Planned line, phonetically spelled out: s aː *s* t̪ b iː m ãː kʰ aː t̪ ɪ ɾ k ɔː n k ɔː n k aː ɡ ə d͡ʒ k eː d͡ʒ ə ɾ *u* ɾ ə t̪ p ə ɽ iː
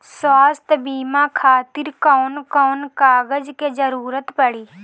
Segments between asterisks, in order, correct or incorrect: correct, incorrect: uː

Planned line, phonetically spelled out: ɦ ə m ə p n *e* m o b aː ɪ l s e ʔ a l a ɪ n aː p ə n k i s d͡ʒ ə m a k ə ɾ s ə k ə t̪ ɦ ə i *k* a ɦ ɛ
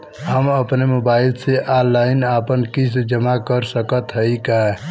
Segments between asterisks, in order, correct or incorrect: correct, correct

